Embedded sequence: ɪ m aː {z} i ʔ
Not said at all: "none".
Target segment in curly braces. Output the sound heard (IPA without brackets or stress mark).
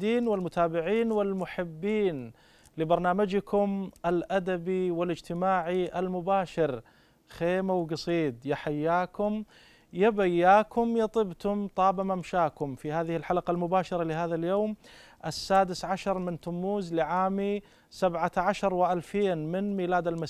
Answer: ʕ